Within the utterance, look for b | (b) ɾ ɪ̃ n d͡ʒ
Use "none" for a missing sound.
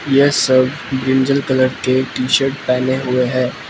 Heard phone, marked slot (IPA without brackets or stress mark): b